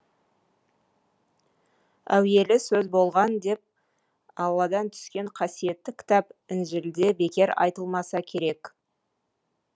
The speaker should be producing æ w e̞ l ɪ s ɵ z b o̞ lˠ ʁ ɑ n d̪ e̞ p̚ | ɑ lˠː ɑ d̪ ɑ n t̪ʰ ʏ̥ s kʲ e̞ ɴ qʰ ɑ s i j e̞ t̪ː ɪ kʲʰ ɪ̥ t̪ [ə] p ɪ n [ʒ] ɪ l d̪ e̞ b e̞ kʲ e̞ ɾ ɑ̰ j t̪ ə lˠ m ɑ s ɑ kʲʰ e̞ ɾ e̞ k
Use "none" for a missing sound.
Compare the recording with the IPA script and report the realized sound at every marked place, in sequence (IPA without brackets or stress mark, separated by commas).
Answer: ɑ, ʒ